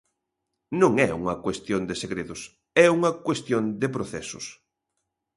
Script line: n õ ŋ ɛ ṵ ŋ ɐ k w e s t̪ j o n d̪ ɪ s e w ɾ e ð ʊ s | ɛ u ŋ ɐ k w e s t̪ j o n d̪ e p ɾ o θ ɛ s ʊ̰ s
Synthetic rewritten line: n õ ŋ ɛ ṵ ŋ ɐ k w e s t̪ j o n d̪ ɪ s e ɣ ɾ e ð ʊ s | ɛ u ŋ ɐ k w e s t̪ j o n d̪ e p ɾ o θ ɛ s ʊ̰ s